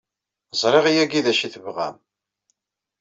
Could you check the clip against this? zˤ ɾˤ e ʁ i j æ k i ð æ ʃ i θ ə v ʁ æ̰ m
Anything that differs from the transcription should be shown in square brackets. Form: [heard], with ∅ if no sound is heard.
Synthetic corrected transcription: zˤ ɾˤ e ʁ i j æ [ɡ] i ð æ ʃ i θ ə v ʁ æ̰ m